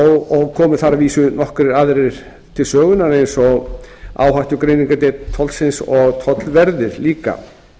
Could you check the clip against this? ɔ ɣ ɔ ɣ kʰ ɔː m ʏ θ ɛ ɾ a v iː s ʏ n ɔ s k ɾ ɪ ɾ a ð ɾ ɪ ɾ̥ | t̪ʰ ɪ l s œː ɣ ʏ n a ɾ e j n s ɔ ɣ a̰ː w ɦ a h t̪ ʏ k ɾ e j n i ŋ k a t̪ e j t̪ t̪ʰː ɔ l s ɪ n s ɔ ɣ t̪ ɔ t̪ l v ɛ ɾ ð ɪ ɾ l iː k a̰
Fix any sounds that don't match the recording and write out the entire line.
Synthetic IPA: ɔ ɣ ɔ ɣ kʰ ɔː m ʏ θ a ɾ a v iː s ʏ n ɔ h k ɾ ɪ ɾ a ð ɾ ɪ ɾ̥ | t̪ʰ ɪ l s œː ɣ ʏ n a ɾ e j n s ɔ ɣ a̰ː w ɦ a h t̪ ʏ k ɾ e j n i ŋ k a t̪ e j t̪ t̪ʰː ɔ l s ɪ n s ɔ ɣ t̪ʰ ɔ t̪ l v ɛ ɾ ð ɪ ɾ l iː k a̰